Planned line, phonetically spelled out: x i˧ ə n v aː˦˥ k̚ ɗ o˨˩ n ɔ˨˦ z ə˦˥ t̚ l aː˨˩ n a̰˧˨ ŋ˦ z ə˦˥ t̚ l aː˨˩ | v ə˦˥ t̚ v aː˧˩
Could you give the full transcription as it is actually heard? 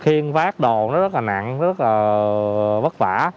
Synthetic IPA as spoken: x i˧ ə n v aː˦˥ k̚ ɗ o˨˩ n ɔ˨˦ z ə˦˥ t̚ l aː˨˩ n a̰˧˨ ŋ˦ z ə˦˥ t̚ l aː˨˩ | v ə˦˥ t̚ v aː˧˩